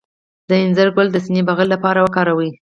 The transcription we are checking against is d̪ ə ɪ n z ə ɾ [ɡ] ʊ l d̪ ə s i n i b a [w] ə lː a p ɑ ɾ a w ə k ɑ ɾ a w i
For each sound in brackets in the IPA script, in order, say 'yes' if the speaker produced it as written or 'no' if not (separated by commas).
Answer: yes, no